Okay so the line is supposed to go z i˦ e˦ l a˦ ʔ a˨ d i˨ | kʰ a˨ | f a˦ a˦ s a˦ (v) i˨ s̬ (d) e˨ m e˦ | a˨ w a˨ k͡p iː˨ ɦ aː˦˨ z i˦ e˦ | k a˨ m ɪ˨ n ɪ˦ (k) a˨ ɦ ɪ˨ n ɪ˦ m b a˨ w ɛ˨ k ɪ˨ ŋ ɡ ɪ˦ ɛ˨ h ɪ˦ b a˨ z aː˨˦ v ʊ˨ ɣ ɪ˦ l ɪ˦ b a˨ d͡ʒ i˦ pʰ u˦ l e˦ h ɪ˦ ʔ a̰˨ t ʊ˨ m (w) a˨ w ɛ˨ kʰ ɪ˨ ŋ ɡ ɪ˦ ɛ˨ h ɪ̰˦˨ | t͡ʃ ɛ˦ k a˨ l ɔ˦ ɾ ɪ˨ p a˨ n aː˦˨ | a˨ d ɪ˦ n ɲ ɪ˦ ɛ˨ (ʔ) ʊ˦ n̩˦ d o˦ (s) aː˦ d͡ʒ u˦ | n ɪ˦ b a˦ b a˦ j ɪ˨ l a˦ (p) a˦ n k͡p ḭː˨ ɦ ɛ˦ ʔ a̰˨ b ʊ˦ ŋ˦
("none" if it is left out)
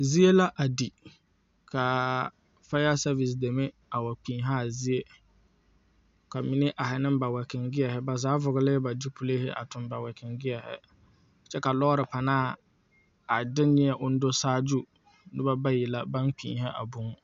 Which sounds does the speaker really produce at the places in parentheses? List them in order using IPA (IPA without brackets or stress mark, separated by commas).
v, d, ʔ, b, ʔ, s, b